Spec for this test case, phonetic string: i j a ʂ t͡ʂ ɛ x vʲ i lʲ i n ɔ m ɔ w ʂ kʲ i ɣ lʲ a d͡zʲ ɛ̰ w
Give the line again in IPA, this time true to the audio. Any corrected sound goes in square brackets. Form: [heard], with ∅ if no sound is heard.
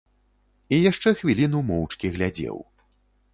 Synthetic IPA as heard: i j a ʂ t͡ʂ ɛ x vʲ i lʲ i n [u] m ɔ w [t͡ʂ] kʲ i ɣ lʲ a d͡zʲ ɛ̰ w